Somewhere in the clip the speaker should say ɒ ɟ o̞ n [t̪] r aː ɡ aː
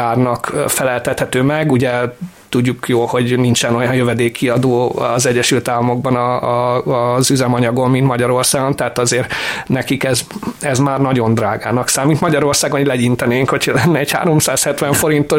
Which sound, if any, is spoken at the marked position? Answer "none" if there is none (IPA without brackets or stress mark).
d̪